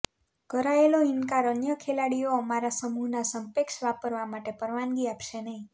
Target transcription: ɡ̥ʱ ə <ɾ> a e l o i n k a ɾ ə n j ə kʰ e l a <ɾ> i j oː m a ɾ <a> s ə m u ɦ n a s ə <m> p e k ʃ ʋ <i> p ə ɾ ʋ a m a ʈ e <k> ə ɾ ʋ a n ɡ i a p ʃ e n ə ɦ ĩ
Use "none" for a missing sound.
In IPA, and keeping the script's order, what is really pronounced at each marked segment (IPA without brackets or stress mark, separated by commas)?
ɾ, ɽ, a, m, a, p